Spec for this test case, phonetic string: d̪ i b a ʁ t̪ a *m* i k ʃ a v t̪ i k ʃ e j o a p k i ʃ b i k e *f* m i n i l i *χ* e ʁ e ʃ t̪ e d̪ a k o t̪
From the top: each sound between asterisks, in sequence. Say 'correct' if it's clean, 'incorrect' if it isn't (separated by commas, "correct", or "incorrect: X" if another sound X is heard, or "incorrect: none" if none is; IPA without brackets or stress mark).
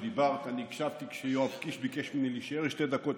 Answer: incorrect: n, incorrect: ʃ, incorrect: ʃ